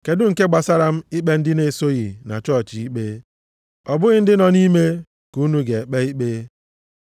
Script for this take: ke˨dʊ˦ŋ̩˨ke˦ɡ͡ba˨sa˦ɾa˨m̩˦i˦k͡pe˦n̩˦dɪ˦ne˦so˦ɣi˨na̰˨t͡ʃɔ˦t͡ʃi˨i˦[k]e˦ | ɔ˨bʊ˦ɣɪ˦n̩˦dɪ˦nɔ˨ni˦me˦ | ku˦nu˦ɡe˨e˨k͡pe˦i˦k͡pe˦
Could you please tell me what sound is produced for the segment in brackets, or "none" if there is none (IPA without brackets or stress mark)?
k͡p